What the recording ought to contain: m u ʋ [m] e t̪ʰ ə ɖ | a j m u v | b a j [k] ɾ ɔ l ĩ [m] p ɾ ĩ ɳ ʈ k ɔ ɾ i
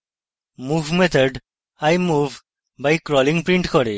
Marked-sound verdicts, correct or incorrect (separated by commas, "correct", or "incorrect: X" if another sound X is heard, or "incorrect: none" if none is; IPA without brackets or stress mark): correct, correct, incorrect: ŋ